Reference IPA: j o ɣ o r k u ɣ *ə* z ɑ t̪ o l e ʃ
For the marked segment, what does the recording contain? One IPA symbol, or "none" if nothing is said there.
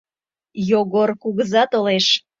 ə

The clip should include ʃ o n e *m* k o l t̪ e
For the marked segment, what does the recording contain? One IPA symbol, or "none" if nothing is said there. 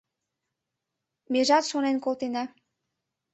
n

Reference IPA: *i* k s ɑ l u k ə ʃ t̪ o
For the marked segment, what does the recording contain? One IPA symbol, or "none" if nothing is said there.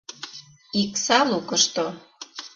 i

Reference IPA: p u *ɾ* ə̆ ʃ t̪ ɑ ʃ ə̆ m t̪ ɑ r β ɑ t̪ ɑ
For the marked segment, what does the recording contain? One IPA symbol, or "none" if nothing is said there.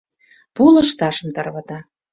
l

